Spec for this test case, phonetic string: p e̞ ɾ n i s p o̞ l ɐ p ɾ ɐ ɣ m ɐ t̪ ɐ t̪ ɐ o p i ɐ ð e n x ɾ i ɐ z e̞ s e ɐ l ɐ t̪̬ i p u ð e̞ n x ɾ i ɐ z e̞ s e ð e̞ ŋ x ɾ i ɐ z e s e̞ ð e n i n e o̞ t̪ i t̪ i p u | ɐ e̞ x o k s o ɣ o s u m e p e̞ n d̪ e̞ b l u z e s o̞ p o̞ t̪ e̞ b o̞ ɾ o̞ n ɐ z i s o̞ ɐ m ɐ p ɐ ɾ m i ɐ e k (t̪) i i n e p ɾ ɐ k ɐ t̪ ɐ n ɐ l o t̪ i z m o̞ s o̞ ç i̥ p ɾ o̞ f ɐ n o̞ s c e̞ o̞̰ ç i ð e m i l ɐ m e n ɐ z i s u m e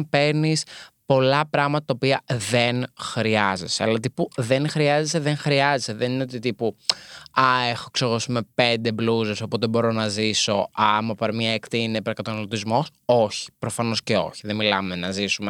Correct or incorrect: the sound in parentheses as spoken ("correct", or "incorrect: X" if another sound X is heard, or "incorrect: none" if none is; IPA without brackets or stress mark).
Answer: correct